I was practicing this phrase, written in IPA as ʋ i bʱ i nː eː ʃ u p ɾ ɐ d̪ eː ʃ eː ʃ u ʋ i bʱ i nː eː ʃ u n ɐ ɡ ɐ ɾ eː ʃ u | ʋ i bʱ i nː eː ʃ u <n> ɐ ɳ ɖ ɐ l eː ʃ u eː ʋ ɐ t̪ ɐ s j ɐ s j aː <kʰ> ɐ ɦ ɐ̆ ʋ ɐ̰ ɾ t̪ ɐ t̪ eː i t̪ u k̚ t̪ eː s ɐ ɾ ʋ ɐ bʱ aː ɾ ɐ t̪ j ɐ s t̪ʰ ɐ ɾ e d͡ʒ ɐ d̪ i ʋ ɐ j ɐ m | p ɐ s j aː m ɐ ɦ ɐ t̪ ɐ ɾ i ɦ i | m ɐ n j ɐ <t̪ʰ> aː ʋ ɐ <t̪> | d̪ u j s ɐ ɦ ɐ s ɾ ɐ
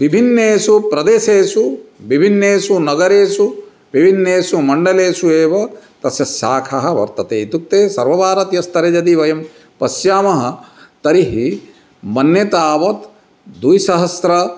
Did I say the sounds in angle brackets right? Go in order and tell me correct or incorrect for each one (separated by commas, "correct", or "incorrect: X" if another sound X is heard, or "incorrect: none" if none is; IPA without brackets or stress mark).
incorrect: m, correct, incorrect: t̪, correct